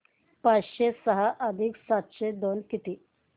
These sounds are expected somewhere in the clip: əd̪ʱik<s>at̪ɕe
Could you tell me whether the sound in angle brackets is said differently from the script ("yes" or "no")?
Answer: no